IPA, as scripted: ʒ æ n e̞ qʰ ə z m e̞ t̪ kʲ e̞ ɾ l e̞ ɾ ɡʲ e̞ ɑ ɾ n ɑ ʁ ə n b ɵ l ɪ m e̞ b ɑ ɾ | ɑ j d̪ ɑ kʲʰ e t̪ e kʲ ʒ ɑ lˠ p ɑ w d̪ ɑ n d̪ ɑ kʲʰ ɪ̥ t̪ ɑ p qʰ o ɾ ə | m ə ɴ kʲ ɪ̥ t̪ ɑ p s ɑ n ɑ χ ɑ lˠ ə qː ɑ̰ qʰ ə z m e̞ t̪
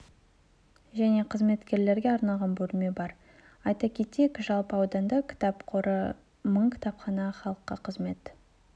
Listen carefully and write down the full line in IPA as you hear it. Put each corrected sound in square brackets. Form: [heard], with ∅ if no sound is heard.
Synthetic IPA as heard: ʒ æ n e̞ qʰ ə z m e̞ t̪ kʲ e̞ ɾ l e̞ ɾ ɡʲ e̞ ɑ ɾ n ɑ ʁ [ɑ] n b ɵ l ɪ m e̞ b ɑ ɾ | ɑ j [t̪] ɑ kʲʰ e t̪ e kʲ ʒ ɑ lˠ p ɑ w d̪ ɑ n d̪ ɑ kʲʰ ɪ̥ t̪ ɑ p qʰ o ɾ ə | m ə ɴ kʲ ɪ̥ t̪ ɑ p [χ] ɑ n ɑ χ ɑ lˠ ə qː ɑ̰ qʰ ə z m e̞ t̪